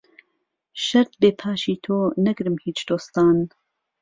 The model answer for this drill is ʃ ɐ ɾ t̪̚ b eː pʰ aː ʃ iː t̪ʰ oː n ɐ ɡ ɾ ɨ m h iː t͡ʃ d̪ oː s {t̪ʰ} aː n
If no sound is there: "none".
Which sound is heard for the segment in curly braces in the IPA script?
t̪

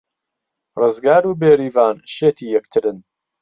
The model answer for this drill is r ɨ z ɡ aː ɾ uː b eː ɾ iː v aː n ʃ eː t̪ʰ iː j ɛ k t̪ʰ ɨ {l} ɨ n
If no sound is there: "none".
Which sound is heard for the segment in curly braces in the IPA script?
ɾ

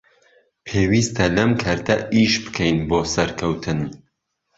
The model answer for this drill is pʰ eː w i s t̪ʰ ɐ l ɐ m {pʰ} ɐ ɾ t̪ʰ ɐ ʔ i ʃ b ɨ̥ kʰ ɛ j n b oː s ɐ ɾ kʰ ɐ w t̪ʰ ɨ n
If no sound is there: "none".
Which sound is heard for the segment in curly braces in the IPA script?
kʰ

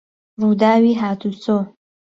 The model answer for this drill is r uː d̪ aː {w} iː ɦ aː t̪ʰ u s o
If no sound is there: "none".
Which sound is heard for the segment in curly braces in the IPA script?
w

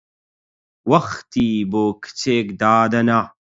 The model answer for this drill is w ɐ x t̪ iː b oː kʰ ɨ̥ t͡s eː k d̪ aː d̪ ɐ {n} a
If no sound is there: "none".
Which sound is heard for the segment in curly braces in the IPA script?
n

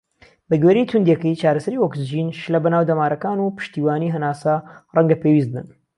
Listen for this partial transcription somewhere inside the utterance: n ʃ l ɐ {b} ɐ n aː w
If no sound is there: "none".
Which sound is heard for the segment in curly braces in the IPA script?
b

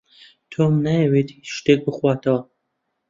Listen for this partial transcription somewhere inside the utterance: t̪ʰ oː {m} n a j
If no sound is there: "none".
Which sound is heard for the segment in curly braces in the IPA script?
m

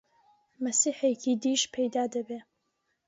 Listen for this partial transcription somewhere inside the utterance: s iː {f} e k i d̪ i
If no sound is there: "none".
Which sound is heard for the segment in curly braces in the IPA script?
ħ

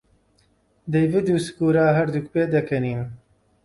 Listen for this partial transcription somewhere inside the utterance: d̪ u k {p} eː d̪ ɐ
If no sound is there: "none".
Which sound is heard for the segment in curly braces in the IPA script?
p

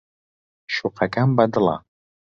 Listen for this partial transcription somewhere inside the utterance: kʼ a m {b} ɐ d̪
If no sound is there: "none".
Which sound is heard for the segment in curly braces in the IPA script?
b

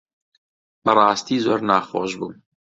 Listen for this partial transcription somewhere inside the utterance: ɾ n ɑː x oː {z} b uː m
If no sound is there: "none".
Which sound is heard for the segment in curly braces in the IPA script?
ʒ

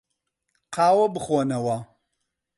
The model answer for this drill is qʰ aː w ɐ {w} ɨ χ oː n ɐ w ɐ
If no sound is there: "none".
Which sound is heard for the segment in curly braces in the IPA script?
b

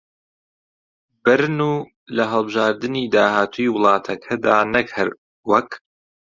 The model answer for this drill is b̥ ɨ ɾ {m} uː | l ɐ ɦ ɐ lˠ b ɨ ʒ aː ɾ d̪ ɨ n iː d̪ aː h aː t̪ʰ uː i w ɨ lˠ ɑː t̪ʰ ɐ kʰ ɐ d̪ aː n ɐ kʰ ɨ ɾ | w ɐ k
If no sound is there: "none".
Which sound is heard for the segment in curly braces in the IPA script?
n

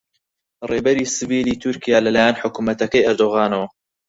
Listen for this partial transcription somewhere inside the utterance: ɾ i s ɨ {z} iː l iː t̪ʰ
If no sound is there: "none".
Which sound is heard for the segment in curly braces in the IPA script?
v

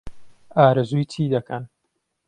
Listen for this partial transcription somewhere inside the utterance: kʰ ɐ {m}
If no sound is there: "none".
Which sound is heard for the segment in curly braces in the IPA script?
n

